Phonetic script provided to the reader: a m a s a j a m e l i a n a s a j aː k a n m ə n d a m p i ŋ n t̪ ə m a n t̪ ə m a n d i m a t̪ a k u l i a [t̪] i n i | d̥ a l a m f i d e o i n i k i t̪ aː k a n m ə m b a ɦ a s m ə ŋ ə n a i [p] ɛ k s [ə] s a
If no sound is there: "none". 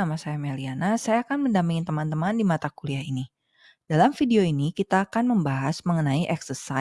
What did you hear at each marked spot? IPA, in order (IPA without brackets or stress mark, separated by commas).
none, ʔ, ə